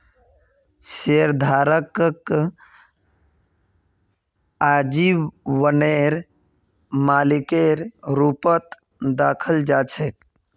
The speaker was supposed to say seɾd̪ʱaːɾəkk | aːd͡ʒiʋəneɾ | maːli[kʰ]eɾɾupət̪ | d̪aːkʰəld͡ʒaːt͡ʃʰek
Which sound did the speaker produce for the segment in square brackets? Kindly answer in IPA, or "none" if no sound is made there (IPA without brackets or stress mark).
k